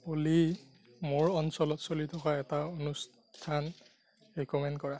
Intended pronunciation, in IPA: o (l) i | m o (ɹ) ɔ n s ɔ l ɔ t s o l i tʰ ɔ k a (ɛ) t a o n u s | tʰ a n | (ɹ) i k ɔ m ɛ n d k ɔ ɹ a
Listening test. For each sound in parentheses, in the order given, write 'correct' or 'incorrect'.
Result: correct, correct, correct, correct

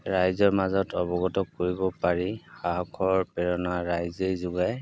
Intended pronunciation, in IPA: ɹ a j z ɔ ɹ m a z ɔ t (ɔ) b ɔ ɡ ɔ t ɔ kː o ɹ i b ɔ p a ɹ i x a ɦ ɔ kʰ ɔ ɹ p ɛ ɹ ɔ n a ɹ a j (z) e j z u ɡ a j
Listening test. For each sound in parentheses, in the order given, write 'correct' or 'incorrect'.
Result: correct, correct

